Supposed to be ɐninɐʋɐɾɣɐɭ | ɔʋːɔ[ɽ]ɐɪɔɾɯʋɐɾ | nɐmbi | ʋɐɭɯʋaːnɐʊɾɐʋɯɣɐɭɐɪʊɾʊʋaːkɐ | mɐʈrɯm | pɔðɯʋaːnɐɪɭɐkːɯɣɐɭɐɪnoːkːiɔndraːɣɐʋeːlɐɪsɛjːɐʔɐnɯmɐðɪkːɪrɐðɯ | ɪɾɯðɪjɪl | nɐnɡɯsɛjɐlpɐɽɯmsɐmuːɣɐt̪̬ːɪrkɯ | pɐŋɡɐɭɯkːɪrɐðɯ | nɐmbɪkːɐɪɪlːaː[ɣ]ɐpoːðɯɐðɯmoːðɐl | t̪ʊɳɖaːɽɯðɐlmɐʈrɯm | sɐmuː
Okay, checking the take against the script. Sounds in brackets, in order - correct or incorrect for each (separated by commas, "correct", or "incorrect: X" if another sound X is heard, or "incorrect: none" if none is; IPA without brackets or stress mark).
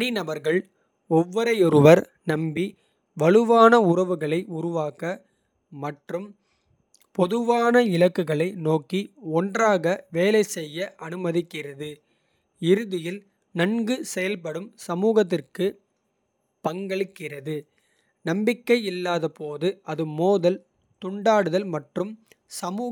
incorrect: ɾ, incorrect: ð